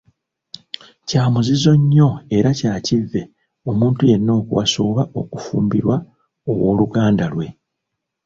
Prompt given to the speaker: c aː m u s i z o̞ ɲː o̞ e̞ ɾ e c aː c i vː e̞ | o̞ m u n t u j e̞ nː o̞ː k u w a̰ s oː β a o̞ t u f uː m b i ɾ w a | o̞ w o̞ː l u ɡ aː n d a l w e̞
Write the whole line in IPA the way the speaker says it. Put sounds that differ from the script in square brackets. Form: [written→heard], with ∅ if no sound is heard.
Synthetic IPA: c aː m u [s→z] i z o̞ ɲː o̞ e̞ ɾ [e→a] c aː c i vː e̞ | o̞ m [u→uː] n t u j e̞ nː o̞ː k u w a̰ s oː β a o̞ [t→k] u f uː m b i ɾ w a | o̞ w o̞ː l u ɡ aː n d a l w e̞